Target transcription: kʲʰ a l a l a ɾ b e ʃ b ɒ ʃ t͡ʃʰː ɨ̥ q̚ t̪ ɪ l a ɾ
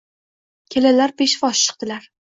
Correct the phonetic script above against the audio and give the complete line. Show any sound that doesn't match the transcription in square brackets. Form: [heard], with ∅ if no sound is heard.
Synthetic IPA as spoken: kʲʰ [e] l a l a ɾ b e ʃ [v] ɒ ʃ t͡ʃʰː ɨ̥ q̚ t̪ ɪ l a ɾ